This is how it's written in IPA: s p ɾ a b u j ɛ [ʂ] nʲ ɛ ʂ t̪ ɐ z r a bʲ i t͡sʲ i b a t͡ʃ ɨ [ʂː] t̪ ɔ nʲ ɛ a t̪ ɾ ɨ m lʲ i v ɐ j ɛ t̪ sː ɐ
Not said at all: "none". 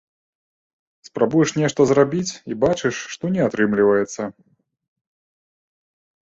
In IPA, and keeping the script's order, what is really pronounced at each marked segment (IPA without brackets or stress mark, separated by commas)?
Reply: ʂ, ʂː